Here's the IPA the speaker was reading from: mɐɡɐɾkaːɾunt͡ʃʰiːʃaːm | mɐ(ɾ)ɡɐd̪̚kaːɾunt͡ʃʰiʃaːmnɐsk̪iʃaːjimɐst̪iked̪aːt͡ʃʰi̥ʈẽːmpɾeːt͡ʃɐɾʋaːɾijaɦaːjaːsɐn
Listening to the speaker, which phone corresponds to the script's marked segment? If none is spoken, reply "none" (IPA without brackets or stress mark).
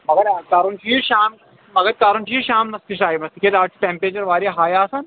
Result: none